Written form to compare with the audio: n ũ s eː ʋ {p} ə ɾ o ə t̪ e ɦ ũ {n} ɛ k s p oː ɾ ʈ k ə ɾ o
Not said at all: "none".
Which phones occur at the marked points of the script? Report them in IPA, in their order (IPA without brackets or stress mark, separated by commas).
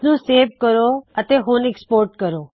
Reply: k, n